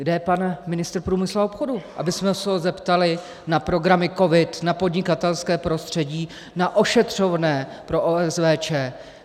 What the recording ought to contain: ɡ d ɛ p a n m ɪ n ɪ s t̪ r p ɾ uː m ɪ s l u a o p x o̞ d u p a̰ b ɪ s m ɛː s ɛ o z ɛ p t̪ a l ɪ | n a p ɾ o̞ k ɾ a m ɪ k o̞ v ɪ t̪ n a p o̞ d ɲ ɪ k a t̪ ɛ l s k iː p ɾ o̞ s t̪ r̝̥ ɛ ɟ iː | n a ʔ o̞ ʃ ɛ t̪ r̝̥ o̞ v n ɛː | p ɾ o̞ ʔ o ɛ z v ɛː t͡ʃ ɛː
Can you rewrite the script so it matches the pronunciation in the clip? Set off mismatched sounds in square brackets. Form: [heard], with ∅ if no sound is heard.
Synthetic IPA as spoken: ɡ d ɛ p a n m ɪ n ɪ s t̪ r p ɾ uː m ɪ s l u a o p x o̞ d u [ʔ] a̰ b ɪ s m [ɛ] s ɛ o z ɛ p t̪ a l ɪ | n a p ɾ o̞ [ɡ] ɾ a m ɪ k o̞ v ɪ t̪ n a p o̞ d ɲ ɪ k a t̪ ɛ l s k [ɛː] p ɾ o̞ s t̪ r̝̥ ɛ ɟ iː | n a ʔ o̞ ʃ ɛ t̪ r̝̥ o̞ v n ɛː | p ɾ o̞ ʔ o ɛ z v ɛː t͡ʃ ɛː